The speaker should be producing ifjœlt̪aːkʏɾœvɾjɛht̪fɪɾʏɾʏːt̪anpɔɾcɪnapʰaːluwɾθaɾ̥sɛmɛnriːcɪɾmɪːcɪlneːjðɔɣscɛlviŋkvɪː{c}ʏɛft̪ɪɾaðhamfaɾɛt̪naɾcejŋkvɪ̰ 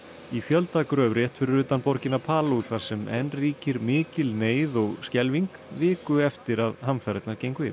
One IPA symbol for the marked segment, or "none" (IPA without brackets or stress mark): k